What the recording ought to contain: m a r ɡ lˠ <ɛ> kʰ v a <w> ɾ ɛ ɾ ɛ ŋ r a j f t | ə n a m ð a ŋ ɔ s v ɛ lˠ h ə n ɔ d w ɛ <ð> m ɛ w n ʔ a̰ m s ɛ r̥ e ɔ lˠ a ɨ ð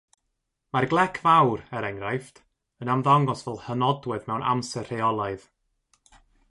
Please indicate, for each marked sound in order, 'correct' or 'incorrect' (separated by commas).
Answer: correct, correct, correct